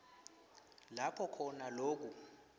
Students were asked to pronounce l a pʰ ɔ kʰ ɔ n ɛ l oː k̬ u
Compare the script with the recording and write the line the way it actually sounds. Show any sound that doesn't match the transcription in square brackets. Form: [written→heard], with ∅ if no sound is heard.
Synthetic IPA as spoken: l a pʰ ɔ kʰ ɔ n [ɛ→a] l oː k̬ u